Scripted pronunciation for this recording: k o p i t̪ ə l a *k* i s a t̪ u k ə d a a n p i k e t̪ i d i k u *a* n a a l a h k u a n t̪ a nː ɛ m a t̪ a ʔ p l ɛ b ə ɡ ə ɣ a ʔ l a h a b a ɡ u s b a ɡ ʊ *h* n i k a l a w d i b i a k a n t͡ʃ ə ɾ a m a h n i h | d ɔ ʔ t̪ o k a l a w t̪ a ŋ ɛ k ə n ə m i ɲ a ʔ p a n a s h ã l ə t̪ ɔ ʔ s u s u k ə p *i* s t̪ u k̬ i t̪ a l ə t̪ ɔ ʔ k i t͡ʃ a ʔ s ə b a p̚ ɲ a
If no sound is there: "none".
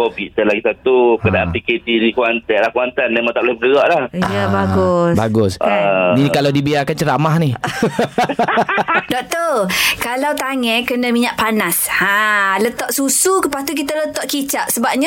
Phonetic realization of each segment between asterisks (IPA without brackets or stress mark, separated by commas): ɡ, a, s, a